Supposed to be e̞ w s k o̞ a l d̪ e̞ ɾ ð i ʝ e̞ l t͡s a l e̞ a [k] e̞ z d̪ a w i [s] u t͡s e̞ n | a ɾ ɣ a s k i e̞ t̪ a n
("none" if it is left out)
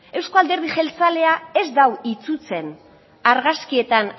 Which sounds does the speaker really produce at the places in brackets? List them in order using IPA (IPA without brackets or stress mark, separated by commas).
none, t͡s